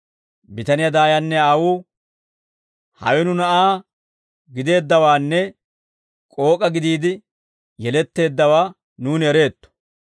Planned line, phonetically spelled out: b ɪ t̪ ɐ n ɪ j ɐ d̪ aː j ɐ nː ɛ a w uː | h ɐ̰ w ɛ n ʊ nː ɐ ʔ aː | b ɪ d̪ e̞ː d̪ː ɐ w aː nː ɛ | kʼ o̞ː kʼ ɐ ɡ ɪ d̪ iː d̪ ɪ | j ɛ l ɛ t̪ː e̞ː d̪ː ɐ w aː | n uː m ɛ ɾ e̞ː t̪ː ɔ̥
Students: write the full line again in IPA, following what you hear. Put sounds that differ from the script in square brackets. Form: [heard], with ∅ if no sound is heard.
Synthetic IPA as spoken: b ɪ t̪ ɐ n ɪ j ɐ d̪ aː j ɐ nː ɛ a w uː | h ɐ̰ w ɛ n ʊ [n] ɐ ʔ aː | [ɡ] ɪ d̪ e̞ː d̪ː ɐ w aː nː ɛ | kʼ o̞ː kʼ ɐ ɡ ɪ d̪ iː d̪ ɪ | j ɛ l ɛ t̪ː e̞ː d̪ː ɐ w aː | n uː [n] ɛ ɾ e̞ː t̪ː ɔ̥